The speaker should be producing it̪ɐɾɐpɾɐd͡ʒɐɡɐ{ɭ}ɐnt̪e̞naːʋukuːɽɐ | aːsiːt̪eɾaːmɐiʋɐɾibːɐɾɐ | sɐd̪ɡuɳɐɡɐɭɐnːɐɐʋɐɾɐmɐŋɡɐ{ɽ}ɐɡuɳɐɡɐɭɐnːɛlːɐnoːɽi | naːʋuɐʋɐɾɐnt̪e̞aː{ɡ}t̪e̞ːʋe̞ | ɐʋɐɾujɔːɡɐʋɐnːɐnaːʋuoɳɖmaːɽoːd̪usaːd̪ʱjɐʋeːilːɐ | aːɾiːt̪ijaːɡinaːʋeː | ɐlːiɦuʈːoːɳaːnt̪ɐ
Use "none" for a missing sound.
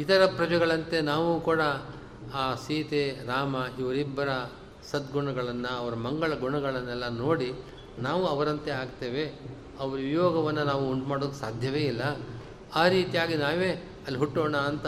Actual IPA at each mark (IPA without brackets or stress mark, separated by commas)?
ɭ, ɭ, ɡ